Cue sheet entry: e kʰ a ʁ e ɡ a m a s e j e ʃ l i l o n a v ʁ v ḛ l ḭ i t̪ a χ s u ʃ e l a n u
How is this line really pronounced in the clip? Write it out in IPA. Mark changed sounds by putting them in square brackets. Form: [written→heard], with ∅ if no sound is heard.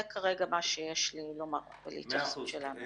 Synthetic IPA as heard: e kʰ a ʁ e ɡ a m a [s→ʃ] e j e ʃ l i l o [n→m] a [v→∅] ʁ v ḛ l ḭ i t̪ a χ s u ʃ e l a n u